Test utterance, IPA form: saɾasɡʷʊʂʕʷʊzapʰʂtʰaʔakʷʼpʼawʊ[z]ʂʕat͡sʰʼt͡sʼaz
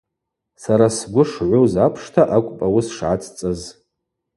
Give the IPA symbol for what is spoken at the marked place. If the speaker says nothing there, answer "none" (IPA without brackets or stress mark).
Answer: s